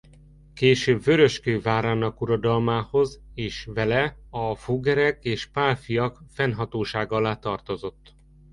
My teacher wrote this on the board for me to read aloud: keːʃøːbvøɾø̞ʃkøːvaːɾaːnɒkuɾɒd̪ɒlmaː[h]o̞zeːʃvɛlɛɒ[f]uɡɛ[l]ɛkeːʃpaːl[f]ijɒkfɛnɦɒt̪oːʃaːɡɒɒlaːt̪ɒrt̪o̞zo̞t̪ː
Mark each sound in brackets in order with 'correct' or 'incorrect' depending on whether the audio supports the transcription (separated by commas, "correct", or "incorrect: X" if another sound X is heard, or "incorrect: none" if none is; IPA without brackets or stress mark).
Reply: correct, correct, incorrect: ɾ, correct